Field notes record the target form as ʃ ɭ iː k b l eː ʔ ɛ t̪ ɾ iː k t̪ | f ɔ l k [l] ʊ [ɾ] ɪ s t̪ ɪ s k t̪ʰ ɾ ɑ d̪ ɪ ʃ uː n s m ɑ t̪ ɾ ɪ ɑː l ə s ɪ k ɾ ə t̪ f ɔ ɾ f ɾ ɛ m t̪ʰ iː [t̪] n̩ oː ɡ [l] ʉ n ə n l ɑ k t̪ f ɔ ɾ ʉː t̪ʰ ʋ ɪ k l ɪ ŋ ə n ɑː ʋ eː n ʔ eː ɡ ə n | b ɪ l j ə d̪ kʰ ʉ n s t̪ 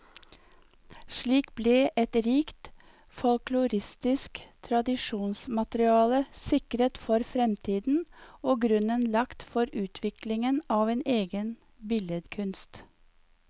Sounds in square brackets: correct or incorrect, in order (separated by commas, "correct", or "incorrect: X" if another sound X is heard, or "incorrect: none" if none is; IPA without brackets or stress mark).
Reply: correct, correct, incorrect: d̪, incorrect: ɾ